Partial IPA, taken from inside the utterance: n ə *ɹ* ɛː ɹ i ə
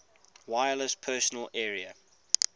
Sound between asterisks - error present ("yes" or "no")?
yes